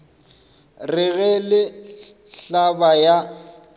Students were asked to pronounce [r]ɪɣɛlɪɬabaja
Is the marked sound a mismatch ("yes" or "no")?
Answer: no